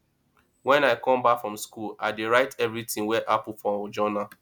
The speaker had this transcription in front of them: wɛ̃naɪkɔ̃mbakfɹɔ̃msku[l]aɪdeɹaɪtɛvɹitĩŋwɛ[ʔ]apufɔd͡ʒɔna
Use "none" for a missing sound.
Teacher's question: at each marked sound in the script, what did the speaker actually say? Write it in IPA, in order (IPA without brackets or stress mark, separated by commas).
l, ʔ